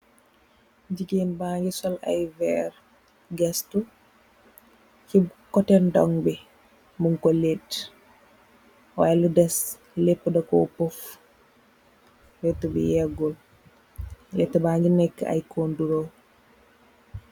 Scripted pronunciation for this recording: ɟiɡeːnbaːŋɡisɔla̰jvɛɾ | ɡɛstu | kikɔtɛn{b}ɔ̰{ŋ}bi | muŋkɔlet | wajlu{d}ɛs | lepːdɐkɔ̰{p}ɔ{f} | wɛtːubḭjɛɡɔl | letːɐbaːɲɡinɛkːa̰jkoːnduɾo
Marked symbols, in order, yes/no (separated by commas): no, yes, yes, yes, yes